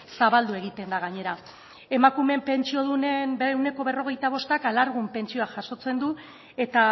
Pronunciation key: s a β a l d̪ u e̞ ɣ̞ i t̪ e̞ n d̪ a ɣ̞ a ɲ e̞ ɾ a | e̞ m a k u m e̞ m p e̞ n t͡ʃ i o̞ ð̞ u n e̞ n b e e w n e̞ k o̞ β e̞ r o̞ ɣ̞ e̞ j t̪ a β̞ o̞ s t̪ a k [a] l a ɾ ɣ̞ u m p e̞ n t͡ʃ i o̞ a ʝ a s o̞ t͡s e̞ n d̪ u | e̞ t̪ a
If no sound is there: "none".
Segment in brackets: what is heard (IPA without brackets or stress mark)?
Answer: a